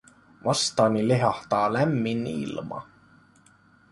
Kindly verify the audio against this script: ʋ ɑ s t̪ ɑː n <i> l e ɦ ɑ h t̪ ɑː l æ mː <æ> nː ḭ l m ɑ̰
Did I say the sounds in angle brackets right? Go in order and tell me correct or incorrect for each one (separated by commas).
correct, incorrect